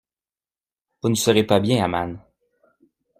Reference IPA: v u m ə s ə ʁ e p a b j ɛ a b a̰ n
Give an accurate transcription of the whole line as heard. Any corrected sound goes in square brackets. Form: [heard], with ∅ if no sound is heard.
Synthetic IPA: v u [n] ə s ə ʁ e p a b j [ɛ̃] a [m] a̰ n